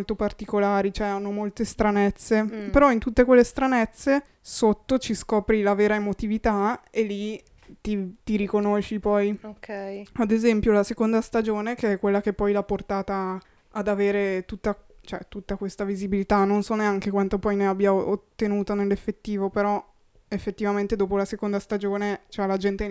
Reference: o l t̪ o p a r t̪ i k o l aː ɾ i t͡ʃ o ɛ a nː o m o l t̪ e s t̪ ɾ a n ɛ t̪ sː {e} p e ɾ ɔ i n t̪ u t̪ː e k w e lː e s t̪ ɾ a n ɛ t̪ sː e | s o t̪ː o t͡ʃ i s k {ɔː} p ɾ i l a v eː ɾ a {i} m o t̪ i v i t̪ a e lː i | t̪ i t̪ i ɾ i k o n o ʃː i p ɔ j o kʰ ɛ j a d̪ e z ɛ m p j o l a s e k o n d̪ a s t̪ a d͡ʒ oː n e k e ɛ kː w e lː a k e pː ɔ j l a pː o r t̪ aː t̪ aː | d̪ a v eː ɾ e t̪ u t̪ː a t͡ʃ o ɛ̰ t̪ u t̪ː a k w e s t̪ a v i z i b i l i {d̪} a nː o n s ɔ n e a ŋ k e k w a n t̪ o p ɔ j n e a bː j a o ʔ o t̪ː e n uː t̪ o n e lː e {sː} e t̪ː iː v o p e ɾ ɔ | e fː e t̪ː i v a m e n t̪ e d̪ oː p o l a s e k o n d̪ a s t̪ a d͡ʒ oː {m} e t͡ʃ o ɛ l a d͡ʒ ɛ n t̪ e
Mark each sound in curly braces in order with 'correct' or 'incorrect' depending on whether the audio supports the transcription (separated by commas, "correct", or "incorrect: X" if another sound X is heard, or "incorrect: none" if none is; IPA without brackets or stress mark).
correct, correct, incorrect: e, incorrect: t̪, incorrect: fː, incorrect: n